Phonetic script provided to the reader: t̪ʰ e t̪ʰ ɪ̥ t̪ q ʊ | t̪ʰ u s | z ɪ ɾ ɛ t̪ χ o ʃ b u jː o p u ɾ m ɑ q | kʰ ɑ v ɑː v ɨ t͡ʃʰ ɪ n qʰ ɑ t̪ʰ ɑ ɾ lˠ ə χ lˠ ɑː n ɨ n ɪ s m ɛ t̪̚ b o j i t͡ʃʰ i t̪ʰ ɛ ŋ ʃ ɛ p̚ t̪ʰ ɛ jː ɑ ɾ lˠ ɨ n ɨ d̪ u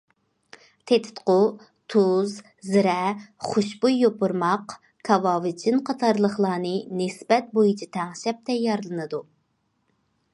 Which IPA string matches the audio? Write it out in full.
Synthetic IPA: t̪ʰ e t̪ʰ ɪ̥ t̪ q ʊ | t̪ʰ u z | z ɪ ɾ ɛ χ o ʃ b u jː o p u ɾ m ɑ q | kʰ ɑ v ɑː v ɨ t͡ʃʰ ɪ n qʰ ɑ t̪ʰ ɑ ɾ lˠ ə χ lˠ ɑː n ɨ n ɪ s b ɛ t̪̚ b o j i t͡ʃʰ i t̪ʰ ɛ ŋ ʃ ɛ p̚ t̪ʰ ɛ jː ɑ ɾ lˠ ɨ n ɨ d̪ u